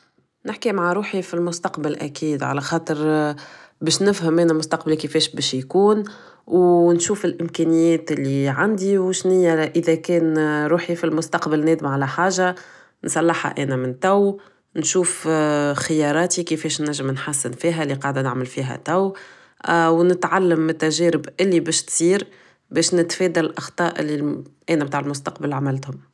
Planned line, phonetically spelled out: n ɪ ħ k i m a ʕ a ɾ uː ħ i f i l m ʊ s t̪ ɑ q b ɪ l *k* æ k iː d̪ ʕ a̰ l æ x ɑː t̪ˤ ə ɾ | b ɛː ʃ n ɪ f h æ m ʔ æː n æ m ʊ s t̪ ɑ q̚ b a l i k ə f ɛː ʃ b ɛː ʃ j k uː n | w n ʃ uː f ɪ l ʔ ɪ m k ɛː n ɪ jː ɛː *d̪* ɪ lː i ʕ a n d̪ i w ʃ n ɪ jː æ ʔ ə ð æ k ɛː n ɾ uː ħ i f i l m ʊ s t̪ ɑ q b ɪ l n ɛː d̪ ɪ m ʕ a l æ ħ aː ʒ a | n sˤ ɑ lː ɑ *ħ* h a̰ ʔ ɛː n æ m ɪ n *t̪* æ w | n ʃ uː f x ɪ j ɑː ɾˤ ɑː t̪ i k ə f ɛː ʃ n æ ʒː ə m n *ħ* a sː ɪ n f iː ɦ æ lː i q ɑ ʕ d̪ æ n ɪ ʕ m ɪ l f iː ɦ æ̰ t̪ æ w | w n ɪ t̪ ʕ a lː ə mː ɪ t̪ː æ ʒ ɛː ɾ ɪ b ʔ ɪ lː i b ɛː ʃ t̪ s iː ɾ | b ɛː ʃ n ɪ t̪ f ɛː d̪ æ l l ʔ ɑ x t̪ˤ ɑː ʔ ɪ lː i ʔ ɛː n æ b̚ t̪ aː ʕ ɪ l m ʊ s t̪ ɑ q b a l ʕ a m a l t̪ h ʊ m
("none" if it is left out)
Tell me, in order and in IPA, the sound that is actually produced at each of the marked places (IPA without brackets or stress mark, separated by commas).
ʔ, t̪, ħ, t̪, ħ